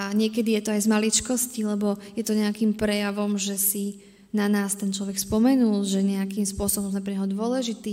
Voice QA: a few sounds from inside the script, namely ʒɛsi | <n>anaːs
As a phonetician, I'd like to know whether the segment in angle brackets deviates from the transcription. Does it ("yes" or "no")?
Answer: no